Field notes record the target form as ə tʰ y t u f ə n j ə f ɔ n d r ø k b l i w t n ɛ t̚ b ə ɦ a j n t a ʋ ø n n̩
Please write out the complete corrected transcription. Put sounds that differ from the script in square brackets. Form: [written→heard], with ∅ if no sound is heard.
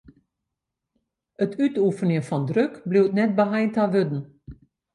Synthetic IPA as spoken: ə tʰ y t u f ə n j ə f ɔ n d r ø k b l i w t n ɛ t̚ b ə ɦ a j n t a ʋ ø [n→d] n̩